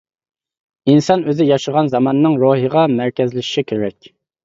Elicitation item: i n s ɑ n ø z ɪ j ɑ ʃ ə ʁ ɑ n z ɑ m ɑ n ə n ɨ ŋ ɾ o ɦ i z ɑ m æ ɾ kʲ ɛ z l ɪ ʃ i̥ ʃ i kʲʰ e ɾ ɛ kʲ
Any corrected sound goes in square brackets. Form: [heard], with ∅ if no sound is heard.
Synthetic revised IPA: i n s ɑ n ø z ɪ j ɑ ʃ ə ʁ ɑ n z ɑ m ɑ n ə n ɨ ŋ ɾ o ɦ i [ʁ] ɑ m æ ɾ kʲ ɛ z l ɪ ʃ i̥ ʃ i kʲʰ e ɾ ɛ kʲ